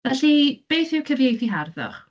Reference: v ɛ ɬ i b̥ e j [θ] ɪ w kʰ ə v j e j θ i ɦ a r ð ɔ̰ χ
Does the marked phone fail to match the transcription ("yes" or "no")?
no